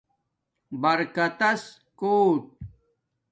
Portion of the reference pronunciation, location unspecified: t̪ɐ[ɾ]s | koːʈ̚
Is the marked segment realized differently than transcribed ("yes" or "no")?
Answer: yes